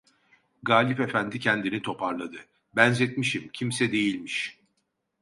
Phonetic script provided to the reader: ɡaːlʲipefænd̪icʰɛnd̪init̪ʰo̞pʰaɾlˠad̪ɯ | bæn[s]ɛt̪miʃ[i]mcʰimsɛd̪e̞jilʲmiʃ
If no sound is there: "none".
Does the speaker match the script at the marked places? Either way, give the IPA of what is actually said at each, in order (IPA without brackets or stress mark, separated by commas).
z, i